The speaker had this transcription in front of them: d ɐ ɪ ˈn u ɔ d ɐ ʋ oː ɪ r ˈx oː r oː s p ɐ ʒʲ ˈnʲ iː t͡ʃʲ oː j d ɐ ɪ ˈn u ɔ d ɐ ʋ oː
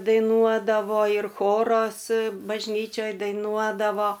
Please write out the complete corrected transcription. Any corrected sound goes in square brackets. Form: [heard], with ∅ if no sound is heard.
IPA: d ɐ ɪ ˈn u ɔ d ɐ ʋ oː ɪ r ˈx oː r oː s [b] ɐ ʒʲ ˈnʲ iː t͡ʃʲ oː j d ɐ ɪ ˈn u ɔ d ɐ ʋ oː